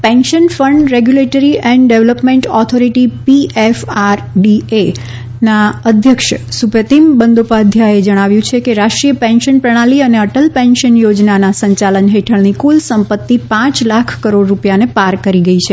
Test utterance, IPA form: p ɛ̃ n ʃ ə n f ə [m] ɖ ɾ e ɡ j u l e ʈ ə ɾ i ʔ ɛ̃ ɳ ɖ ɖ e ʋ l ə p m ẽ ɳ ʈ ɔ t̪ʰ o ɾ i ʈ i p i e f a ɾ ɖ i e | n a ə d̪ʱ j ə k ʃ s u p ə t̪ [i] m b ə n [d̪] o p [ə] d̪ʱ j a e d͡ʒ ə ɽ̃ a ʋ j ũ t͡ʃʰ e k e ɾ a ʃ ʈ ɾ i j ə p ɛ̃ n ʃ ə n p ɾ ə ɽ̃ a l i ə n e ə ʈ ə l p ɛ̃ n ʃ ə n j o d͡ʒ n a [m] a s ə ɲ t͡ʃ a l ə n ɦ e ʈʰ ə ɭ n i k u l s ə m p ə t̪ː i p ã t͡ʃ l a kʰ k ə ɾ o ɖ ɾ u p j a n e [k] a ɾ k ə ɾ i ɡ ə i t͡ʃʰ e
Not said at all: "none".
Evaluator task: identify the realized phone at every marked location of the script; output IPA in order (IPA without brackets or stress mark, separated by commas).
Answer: ɳ, i, d̪, a, n, p